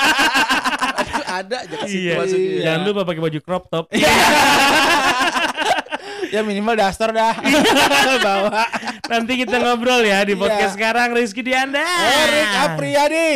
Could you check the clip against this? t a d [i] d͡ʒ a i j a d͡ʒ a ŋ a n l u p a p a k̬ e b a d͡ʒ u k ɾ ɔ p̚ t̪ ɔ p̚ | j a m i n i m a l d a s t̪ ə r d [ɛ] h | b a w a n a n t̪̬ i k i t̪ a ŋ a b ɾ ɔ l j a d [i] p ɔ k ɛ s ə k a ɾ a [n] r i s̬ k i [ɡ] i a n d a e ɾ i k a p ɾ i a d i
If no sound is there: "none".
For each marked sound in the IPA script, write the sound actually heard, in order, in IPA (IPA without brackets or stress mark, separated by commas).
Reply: a, a, i, ŋ, d